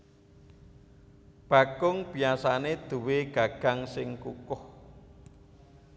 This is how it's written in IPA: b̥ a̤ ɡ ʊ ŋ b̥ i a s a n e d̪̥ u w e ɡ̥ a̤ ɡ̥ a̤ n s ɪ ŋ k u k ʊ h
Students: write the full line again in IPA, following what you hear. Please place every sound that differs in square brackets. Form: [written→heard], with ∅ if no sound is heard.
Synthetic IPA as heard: b̥ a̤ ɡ ʊ ŋ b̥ i a s a n e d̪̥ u w e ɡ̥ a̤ ɡ̥ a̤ [n→ŋ] s ɪ ŋ k u k ʊ h